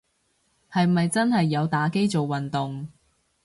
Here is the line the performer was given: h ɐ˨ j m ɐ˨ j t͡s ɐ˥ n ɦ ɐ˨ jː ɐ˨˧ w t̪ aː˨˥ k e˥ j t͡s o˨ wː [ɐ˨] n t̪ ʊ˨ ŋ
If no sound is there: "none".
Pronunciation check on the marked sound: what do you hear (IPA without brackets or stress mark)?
ɐ˨